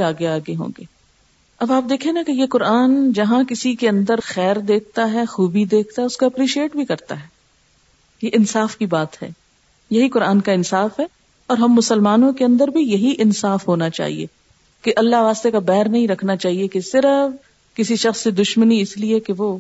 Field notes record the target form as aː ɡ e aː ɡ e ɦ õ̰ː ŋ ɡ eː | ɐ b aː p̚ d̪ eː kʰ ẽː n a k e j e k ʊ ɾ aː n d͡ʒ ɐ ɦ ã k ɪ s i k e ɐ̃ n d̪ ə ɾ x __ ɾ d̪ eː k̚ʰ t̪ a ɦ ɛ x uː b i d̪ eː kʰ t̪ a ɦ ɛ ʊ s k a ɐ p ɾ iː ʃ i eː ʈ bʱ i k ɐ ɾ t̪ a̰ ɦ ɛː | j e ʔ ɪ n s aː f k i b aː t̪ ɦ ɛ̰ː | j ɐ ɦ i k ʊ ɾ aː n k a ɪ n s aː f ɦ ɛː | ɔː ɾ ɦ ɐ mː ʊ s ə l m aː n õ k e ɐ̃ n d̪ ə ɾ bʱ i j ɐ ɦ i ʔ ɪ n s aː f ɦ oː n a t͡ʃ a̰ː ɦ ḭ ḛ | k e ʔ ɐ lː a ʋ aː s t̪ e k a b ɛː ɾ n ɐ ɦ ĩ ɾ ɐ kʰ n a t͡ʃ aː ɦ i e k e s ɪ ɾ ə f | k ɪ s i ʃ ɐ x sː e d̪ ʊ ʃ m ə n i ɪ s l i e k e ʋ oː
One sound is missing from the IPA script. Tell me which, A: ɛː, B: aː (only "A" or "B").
A